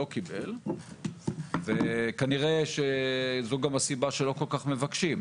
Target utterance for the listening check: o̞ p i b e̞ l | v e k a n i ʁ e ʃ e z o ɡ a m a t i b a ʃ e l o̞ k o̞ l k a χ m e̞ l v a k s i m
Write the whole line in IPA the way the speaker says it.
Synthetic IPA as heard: o̞ k i b e̞ l | v e k a n i ʁ e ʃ e z o ɡ a m a s i b a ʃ e l o̞ k o̞ l k a χ m e̞ v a k ʃ i m